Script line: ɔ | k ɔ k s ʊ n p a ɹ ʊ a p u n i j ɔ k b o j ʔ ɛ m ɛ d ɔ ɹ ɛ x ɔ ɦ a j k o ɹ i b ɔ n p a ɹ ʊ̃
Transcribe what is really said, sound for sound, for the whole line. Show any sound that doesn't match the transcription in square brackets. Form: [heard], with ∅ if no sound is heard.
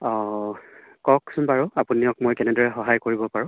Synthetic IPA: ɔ | k ɔ k s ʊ n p a ɹ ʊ a p u n i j ɔ k [m] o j [k] ɛ [n] ɛ d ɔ ɹ ɛ x ɔ ɦ a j k o ɹ i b ɔ [∅] p a ɹ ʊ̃